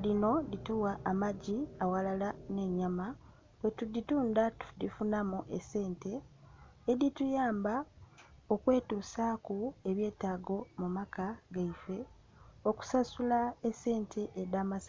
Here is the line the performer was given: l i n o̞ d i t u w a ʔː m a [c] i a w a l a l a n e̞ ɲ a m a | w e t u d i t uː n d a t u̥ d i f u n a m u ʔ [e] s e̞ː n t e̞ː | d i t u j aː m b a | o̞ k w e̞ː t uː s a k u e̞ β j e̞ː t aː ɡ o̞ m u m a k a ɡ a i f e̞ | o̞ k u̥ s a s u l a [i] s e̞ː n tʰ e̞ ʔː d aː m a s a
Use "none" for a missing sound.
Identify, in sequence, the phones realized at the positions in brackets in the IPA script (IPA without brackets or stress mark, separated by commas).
ɟ, e, e